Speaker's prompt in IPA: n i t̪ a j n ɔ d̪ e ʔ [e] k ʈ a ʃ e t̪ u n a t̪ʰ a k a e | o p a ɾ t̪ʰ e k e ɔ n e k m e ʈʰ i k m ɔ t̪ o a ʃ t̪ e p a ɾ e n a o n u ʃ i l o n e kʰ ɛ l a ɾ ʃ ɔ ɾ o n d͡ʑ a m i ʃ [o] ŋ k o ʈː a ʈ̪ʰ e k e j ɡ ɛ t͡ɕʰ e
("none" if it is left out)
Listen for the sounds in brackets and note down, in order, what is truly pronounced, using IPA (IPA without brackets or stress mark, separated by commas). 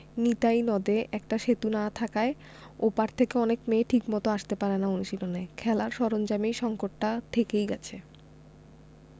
ɛ, ɔ